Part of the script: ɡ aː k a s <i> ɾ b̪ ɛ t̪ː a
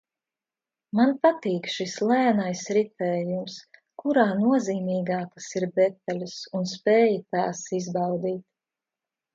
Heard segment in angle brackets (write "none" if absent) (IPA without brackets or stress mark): i